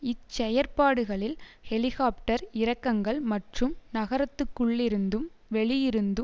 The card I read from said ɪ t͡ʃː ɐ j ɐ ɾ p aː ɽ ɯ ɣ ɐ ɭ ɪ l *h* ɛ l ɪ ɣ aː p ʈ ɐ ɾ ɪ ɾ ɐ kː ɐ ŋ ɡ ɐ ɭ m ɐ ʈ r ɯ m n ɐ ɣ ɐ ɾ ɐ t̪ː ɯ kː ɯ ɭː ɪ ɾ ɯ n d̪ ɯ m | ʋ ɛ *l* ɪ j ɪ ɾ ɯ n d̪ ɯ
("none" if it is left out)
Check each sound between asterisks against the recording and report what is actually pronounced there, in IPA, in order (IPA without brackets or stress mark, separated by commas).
h, ɭ